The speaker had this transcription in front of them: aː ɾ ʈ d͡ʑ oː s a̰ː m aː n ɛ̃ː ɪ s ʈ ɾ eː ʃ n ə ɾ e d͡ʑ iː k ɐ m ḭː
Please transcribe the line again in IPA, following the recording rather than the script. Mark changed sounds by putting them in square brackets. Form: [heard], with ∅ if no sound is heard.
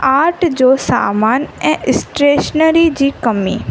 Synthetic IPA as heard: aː ɾ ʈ d͡ʑ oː s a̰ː m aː n ɛ̃ː ɪ s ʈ ɾ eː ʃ n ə ɾ [i] d͡ʑ iː k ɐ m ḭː